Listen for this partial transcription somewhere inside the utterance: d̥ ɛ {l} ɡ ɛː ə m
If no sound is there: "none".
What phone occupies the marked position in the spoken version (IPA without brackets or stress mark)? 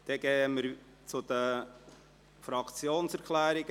none